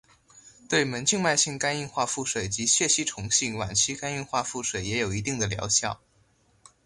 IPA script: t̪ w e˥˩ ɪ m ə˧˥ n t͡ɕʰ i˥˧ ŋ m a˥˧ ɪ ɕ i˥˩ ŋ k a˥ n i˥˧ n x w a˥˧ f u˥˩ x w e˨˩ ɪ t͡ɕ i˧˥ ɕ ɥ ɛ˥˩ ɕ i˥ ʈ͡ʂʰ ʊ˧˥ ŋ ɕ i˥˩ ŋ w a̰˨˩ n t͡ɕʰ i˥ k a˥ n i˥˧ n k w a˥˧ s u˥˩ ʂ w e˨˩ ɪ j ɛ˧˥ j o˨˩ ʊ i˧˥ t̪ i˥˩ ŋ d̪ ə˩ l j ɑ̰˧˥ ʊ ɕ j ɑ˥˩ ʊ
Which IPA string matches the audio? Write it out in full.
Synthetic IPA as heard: t̪ w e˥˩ ɪ m ə˧˥ n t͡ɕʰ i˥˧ ŋ m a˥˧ ɪ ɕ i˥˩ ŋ k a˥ n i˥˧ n x w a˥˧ f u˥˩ ʂ w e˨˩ ɪ t͡ɕ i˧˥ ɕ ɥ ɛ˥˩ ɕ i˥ ʈ͡ʂʰ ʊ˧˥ ŋ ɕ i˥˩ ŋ w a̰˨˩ n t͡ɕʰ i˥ k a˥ n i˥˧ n x w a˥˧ f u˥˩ ʂ w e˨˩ ɪ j ɛ˧˥ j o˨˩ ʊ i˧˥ t̪ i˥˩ ŋ d̪ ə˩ l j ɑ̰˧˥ ʊ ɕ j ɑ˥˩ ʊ